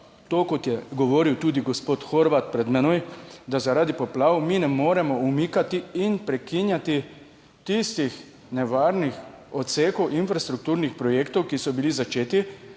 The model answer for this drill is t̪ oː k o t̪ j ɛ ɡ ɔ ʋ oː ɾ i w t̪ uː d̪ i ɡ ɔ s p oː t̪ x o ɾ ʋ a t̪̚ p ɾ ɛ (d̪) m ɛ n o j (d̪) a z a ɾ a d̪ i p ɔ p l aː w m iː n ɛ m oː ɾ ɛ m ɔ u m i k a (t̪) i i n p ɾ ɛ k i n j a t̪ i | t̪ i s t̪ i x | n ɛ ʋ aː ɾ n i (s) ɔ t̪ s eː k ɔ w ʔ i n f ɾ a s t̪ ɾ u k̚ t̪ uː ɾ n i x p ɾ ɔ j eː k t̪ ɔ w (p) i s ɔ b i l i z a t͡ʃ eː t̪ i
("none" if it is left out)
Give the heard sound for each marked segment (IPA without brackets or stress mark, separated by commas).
d̪, d̪, t̪, x, k